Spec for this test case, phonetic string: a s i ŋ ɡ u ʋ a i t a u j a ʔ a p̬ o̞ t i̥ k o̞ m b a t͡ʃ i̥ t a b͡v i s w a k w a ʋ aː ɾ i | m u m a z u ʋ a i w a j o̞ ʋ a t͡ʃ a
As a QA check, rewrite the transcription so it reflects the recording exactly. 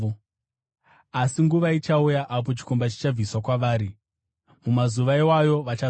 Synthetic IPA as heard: a s i ŋ ɡ u ʋ a i t͡ʃ a u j a ʔ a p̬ o̞ t͡ʃ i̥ k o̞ m b a t͡ʃ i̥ t͡ʃ a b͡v i s w a k w a ʋ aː ɾ i | m u m a z u ʋ a i w a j o̞ ʋ a t͡ʃ a